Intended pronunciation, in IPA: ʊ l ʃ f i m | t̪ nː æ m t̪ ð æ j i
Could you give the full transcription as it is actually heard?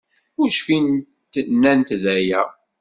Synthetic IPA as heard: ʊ ɾ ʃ f i n | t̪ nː æ n t̪ ð æ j æ